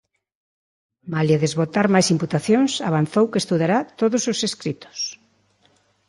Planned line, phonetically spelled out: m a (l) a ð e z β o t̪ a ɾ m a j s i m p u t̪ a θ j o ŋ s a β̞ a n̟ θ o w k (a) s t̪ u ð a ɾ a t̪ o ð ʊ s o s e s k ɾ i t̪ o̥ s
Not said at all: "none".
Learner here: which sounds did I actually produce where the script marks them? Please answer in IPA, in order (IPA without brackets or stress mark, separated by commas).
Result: l, e